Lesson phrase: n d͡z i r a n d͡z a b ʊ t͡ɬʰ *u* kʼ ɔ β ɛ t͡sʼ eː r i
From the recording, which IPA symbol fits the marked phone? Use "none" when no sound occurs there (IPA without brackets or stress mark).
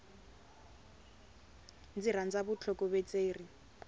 ɔ